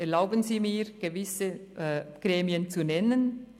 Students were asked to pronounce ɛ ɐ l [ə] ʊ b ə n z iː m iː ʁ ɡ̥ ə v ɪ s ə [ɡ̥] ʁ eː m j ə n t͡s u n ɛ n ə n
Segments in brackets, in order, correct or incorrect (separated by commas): incorrect, correct